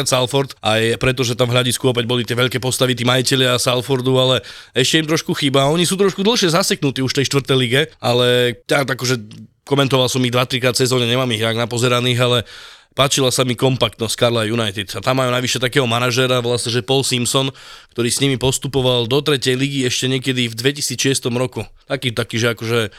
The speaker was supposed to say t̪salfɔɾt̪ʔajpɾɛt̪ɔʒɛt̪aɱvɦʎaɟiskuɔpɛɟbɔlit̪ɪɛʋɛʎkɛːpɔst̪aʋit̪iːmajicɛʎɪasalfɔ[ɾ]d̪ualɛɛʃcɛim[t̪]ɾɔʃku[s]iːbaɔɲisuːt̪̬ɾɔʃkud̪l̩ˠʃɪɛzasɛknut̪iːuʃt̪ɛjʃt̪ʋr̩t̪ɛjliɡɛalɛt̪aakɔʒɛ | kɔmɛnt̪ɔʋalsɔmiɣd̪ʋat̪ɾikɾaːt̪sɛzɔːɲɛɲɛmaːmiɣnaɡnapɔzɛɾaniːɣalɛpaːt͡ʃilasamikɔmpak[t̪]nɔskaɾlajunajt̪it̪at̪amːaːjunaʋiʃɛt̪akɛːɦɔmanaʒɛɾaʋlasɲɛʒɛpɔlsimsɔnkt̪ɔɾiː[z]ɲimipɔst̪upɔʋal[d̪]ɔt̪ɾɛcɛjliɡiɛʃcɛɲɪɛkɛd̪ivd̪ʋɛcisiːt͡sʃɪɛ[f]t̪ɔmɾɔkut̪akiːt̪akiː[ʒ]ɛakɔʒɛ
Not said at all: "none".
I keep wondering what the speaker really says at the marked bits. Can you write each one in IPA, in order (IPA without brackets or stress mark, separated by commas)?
ɾ, t̪, x, t̪, s, d̪, s, ʒ